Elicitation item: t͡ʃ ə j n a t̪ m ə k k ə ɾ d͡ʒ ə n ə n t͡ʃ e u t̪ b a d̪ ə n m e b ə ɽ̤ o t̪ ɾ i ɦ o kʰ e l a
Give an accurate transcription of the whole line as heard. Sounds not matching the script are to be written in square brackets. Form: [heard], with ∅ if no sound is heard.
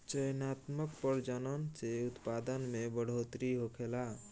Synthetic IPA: t͡ʃ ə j n a t̪ m ə k [p] ə ɾ d͡ʒ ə n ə n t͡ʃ e u t̪ [p] a d̪ ə n m e b ə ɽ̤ o t̪ ɾ i ɦ o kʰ e l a